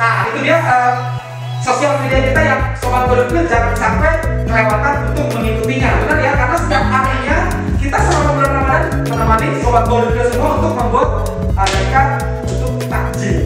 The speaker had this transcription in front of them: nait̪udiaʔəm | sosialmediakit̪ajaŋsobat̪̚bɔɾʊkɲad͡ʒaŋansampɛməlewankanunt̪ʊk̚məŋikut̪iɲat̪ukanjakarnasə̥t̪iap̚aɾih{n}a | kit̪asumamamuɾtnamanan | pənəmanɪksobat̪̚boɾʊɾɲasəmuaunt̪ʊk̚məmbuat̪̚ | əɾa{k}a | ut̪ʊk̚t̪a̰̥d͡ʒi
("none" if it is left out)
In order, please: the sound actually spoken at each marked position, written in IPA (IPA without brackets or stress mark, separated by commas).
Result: ɲ, k